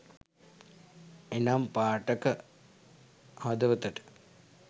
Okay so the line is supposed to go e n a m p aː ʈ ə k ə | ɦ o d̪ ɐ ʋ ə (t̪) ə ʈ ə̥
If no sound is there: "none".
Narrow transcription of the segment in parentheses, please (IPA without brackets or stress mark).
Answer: t̪